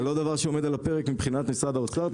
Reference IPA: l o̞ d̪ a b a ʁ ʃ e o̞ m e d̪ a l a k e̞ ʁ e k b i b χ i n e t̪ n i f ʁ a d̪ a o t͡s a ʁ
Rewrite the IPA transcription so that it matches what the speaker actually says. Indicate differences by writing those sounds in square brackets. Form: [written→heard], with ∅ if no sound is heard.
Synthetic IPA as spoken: l o̞ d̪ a [b→v] a ʁ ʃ e o̞ m e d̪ a l a [k→p] e̞ ʁ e k [b→m] i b χ i n [e→a] t̪ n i [f→s] ʁ a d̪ a o t͡s a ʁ

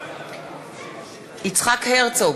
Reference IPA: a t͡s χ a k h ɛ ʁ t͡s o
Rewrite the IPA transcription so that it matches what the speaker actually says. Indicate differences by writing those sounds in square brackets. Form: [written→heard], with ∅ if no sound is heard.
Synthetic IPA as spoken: [a→i] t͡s χ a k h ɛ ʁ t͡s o

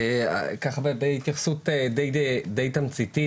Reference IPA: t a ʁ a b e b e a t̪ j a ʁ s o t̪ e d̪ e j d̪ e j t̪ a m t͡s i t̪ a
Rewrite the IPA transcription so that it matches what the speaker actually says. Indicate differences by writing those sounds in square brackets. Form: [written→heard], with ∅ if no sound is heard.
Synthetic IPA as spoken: [t→k] a [ʁ→χ] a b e b e [a→i] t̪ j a [ʁ→χ] s [o→u] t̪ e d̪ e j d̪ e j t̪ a m t͡s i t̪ [a→i]

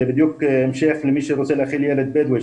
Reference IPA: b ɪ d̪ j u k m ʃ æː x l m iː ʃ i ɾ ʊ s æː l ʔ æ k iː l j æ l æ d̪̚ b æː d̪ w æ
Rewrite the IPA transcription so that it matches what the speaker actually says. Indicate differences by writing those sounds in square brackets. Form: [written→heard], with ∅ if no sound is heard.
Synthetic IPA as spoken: b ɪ d̪ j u k m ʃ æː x l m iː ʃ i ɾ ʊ s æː l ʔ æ [k→x] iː l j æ l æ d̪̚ b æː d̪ w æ

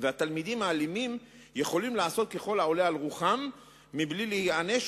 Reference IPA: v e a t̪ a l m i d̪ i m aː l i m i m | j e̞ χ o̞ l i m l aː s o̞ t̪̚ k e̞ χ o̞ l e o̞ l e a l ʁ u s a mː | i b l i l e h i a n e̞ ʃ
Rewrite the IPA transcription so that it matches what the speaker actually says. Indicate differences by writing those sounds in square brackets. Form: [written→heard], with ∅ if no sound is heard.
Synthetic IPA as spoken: v e a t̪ a l m i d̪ i m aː l i m i m | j e̞ χ o̞ l i m l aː s o̞ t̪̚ k e̞ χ o̞ l [e→a] o̞ l e a l ʁ u [s→χ] a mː | i b l i l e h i a n e̞ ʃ

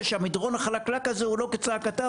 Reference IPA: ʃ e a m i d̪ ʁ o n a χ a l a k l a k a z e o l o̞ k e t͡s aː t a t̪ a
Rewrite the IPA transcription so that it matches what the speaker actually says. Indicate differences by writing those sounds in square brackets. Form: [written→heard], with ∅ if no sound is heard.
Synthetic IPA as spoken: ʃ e a m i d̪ ʁ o n a χ a l a k l a k a z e [o→u] l o̞ k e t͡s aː [t→k] a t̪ a

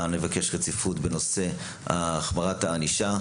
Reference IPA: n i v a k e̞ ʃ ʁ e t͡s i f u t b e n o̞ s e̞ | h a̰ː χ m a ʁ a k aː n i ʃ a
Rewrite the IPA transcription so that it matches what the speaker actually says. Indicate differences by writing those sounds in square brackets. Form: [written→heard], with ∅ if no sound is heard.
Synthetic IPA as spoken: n [i→e] v a k e̞ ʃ ʁ e t͡s i f u t b e n o̞ s e̞ | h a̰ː χ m a ʁ a [k→t] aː n i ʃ a

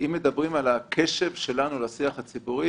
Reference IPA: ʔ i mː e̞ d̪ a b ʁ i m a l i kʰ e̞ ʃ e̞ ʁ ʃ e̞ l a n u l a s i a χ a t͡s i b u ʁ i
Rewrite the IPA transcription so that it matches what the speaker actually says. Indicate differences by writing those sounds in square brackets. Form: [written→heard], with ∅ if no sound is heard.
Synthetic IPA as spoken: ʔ i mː e̞ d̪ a b ʁ i m a l [i→a] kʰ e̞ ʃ e̞ [ʁ→v] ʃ e̞ l a n u l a s i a χ a t͡s i b u ʁ i

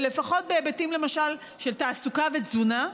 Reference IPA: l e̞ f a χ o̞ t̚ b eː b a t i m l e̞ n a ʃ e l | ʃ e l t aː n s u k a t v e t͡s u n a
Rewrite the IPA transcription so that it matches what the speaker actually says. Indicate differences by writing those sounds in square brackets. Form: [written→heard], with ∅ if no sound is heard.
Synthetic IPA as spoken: l e̞ f a χ o̞ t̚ b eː b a t i m l e̞ [n→m] a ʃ [e→a] l | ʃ e l t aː [n→∅] s u k a [t→∅] v e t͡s u n a

